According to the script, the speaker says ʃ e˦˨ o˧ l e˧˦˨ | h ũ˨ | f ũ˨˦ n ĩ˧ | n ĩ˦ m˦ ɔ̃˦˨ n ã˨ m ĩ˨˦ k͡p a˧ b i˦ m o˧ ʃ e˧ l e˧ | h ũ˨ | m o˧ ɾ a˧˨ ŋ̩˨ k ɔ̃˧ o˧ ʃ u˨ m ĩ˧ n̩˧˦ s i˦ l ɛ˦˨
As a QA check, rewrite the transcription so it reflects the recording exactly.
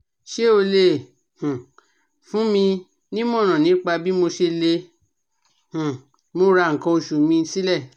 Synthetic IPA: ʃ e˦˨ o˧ l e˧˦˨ | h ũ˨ | f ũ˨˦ m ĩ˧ | n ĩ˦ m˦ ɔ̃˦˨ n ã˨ n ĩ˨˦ k͡p a˧ b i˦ m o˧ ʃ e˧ l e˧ | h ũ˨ | m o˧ ɾ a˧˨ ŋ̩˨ k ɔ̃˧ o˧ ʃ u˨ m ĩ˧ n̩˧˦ s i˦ l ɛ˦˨

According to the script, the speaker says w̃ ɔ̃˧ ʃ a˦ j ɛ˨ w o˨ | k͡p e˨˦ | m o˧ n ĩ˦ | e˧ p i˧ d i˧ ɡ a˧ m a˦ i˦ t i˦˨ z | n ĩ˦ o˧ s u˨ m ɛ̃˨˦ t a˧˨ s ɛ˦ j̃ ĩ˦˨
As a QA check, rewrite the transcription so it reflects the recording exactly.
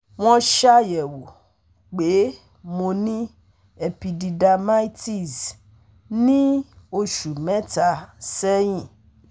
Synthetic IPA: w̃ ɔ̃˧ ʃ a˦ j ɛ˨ w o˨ | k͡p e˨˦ | m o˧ n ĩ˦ | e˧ p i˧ d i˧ d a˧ m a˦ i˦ t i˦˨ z | n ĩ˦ o˧ ʃ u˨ m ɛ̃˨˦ t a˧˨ s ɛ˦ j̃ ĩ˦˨

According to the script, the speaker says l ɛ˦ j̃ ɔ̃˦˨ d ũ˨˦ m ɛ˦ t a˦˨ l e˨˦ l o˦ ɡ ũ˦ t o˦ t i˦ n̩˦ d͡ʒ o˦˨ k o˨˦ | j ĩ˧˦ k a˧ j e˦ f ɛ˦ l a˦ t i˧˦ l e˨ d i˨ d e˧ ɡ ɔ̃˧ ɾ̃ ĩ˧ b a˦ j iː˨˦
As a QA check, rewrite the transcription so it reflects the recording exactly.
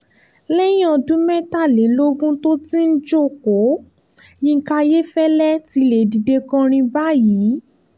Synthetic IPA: l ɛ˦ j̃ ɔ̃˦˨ d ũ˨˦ m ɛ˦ t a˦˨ l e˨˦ l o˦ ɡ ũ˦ t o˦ t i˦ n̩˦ d͡ʒ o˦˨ k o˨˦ | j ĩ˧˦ k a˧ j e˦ f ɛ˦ l ɛ˦ t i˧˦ l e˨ d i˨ d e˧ k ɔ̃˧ ɾ̃ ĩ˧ b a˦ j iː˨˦

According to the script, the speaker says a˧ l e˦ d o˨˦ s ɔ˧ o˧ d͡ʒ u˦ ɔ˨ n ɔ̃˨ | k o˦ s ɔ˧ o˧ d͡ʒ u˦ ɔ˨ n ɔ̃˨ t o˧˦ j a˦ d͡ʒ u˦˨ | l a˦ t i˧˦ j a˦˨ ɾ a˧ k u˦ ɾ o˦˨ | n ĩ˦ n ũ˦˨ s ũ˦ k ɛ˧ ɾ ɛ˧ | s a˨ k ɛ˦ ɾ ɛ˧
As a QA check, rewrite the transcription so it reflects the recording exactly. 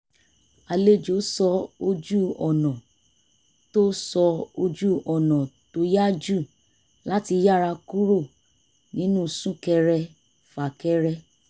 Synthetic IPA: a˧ l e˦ d͡ʒ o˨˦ s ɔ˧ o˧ d͡ʒ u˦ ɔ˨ n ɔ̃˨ | t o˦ s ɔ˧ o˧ d͡ʒ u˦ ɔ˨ n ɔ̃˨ t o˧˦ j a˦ d͡ʒ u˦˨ | l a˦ t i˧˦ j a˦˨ ɾ a˧ k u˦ ɾ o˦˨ | n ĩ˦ n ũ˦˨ s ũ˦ k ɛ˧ ɾ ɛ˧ | f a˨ k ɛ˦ ɾ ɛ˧

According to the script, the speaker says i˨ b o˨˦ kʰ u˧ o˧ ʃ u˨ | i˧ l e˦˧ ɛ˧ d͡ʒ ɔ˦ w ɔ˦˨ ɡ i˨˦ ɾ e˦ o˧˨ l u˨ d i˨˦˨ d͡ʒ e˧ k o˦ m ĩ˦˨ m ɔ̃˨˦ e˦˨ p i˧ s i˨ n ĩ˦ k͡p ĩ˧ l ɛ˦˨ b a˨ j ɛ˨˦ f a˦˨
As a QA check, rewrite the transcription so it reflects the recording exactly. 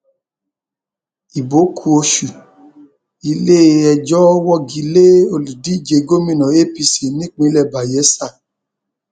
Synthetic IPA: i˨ b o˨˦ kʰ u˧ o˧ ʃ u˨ | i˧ l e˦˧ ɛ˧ d͡ʒ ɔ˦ w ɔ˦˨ ɡ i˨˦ l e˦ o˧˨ l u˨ d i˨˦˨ d͡ʒ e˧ ɡ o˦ m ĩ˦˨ n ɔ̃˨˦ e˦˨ p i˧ s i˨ n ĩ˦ k͡p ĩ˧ l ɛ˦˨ b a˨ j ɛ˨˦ s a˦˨

